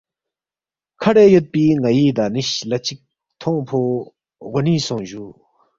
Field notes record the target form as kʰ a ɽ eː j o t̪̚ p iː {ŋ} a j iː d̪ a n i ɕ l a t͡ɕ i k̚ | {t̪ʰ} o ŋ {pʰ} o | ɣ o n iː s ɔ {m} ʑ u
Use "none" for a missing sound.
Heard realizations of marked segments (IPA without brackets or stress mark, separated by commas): ŋ, t̪ʰ, pʰ, ŋ